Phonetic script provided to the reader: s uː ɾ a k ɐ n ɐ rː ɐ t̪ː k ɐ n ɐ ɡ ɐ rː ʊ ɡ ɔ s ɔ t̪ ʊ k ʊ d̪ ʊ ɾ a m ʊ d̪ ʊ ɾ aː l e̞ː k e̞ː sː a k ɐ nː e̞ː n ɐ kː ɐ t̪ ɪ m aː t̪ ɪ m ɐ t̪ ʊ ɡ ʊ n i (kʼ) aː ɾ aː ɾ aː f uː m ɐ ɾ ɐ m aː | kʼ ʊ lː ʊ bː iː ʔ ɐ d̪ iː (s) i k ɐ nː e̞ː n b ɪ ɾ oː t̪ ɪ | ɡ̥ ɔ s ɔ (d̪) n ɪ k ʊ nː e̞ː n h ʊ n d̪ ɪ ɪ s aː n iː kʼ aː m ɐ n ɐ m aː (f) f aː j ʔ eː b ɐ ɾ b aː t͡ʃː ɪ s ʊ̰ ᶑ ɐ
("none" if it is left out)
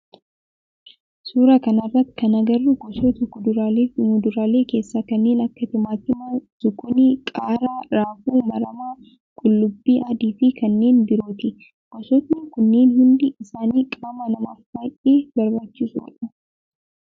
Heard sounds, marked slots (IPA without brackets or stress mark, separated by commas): kʼ, f, t̪, f